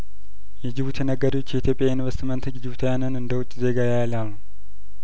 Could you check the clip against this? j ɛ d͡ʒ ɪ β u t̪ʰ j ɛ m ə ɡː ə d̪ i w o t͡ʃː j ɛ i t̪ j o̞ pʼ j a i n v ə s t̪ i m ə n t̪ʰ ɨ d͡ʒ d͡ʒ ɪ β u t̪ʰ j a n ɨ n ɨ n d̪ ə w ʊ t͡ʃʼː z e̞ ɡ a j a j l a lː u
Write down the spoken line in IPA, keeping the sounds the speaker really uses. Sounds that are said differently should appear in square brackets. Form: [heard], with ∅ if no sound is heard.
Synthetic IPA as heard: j ɛ d͡ʒ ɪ β u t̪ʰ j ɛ [n] ə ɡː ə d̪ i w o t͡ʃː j ɛ i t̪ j o̞ pʼ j a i n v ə s t̪ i m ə n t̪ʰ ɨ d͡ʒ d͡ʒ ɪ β u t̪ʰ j a n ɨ n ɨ n d̪ ə w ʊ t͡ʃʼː z e̞ ɡ a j a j l a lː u